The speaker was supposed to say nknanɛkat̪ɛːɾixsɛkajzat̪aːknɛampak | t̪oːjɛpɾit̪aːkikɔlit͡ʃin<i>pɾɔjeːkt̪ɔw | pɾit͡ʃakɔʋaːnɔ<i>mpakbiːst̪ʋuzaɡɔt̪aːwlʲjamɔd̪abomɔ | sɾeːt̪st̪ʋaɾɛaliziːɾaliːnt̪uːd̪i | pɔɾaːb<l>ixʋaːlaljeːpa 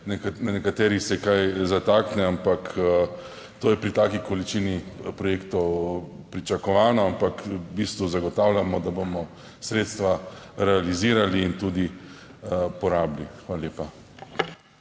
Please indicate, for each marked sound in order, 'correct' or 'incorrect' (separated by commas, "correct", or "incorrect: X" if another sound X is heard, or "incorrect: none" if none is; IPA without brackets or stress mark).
correct, incorrect: a, correct